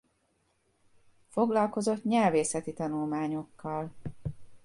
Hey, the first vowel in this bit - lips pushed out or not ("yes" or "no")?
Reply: yes